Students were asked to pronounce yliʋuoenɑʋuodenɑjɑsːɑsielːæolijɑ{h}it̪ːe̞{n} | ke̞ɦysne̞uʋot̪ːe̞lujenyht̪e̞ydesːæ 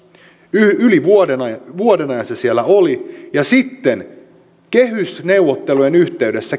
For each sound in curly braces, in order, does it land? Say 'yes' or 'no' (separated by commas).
no, yes